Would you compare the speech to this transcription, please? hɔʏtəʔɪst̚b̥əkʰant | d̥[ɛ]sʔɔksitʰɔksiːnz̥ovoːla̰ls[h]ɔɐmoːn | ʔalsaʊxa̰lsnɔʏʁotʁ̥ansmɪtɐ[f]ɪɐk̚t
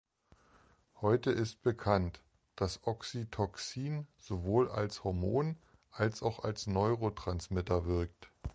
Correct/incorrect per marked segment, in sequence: incorrect: a, correct, incorrect: v

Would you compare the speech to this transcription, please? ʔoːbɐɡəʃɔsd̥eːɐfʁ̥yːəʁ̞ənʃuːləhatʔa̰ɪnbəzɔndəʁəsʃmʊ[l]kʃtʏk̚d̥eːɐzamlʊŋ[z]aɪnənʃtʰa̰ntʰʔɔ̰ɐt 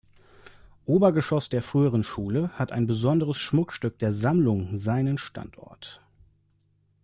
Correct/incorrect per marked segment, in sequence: incorrect: none, correct

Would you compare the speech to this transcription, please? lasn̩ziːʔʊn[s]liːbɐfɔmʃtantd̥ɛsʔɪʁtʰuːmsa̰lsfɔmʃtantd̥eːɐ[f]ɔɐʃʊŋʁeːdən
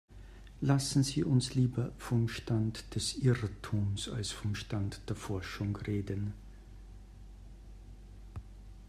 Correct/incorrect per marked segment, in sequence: correct, correct

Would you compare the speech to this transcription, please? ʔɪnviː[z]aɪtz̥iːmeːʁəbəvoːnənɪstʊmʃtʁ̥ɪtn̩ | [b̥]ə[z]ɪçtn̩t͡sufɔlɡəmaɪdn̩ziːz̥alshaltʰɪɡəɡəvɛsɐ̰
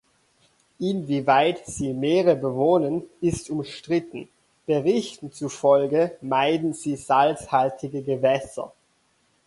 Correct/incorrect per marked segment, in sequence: incorrect: v, correct, incorrect: ʁ

